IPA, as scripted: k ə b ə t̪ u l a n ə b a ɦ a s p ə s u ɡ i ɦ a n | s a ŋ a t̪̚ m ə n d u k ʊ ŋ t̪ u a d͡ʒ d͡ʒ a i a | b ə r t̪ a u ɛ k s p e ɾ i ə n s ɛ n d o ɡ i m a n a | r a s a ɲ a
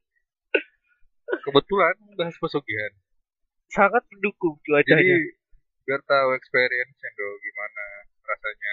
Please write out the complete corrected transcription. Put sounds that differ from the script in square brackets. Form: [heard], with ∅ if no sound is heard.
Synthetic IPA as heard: k ə b ə t̪ u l a n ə b a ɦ a s p ə s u ɡ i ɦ a n | s a ŋ a t̪̚ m ə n d u k ʊ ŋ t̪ u a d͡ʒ d͡ʒ a i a | b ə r t̪ a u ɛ k s p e ɾ i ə n s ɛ n d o ɡ i m a n a | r a s a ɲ a